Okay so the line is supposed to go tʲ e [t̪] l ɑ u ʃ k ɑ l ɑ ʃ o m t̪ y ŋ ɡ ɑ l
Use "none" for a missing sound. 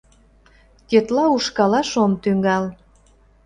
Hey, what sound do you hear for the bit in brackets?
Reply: t̪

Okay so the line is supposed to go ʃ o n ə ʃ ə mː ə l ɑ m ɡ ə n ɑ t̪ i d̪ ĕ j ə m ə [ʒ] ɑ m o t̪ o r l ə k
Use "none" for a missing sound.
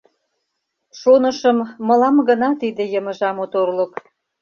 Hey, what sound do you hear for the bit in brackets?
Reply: ʒ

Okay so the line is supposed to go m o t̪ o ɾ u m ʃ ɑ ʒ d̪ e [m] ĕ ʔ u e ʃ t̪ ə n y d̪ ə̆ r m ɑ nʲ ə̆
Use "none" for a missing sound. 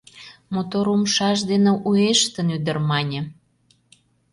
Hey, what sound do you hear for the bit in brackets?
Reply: n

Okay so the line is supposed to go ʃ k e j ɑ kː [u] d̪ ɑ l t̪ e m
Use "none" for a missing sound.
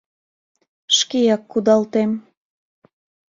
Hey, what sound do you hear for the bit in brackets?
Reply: u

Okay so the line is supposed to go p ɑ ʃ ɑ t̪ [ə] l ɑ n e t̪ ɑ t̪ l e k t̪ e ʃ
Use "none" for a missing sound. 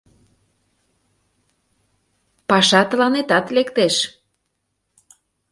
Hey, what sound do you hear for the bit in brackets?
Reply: ə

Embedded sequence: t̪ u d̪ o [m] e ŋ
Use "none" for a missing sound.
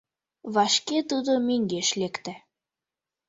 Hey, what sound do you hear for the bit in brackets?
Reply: m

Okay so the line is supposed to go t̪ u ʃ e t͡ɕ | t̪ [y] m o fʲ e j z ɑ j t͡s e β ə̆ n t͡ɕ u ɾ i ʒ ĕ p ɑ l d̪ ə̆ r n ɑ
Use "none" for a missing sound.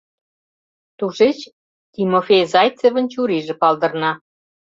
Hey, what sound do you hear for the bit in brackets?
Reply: i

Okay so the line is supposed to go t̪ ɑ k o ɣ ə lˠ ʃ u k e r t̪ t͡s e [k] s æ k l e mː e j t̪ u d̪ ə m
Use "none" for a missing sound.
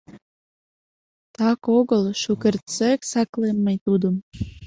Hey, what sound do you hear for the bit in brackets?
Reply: k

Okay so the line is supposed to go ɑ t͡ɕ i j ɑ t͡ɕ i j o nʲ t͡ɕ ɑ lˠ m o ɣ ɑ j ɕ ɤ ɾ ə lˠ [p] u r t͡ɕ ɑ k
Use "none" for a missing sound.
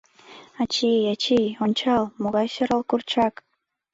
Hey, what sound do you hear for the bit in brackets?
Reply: k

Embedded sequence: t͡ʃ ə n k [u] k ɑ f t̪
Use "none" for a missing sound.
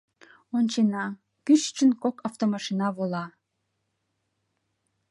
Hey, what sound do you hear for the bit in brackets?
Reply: o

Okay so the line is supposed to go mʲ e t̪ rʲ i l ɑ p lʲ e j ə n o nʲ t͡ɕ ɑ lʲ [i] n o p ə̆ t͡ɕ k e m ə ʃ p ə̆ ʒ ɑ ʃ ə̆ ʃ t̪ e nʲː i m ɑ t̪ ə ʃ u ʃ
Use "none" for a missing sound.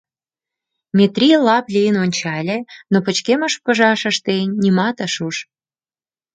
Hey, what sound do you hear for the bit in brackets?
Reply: e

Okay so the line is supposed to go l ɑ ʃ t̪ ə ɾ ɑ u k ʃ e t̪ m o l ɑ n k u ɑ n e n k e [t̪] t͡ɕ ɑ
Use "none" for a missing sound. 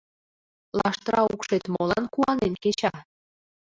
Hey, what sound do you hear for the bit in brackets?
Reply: none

